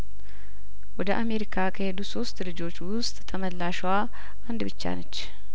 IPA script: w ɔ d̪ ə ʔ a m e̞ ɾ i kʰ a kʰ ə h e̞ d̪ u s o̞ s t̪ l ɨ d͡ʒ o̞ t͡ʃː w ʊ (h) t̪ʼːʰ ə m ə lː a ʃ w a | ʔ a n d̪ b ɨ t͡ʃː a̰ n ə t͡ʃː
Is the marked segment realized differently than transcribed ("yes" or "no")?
yes